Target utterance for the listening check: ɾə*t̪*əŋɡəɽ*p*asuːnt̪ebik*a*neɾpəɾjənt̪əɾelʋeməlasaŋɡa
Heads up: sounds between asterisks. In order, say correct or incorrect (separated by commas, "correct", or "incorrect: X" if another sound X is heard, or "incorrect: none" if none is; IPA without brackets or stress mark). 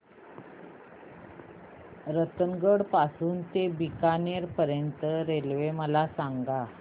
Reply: correct, correct, correct